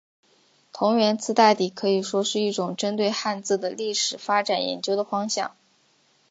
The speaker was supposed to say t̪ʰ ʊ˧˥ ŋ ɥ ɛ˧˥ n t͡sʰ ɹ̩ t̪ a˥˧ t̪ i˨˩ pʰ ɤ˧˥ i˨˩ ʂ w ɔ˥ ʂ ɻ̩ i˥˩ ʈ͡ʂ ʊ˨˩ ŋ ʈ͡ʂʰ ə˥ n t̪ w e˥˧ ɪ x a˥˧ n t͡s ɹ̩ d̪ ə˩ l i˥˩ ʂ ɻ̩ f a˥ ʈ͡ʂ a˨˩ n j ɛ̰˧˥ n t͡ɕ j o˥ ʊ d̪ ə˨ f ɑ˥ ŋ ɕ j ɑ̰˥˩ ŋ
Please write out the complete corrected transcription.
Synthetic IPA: t̪ʰ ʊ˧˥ ŋ ɥ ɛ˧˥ n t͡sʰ ɹ̩ t̪ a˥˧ t̪ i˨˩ kʰ ɤ˧˥ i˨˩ ʂ w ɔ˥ ʂ ɻ̩ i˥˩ ʈ͡ʂ ʊ˨˩ ŋ ʈ͡ʂ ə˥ n t̪ w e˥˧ ɪ x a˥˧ n t͡s ɹ̩ d̪ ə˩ l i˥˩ ʂ ɻ̩ f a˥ ʈ͡ʂ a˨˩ n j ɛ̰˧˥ n t͡ɕ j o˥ ʊ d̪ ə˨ f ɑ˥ ŋ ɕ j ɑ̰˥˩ ŋ